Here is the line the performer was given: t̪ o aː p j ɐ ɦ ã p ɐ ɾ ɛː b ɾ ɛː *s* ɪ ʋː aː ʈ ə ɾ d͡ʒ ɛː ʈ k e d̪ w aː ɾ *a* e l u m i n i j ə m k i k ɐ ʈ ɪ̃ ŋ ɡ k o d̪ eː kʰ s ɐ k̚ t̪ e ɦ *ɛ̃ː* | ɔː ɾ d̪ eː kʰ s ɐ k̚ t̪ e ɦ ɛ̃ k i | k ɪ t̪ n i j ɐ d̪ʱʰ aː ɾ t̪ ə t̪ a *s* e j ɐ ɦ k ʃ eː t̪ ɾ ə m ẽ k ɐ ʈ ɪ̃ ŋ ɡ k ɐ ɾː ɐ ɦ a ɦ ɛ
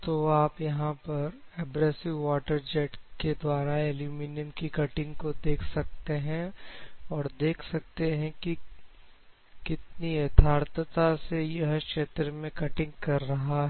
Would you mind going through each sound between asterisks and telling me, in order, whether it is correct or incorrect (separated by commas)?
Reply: correct, correct, incorrect, correct